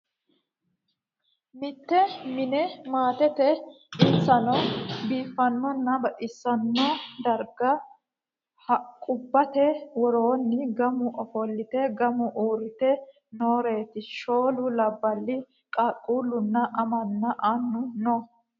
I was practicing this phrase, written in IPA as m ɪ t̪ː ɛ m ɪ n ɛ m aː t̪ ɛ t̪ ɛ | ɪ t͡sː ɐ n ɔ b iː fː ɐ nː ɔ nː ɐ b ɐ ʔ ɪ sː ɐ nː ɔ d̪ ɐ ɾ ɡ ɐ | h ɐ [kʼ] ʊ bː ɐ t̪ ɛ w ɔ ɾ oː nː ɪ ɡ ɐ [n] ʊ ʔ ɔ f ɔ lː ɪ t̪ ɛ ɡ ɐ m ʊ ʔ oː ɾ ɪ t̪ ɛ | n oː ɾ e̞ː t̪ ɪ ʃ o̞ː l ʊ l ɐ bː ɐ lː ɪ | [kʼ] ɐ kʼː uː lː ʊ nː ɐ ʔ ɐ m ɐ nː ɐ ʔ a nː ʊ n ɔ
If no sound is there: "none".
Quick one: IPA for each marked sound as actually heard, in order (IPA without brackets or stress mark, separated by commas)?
kʼ, m, kʼ